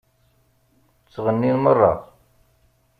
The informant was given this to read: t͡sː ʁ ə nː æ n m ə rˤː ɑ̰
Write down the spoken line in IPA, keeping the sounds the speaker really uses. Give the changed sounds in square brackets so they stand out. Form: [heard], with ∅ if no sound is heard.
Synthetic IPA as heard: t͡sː ʁ ə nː [i] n m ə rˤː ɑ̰